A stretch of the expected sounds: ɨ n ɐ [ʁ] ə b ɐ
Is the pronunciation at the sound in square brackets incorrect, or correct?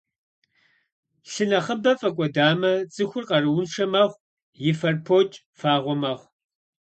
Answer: incorrect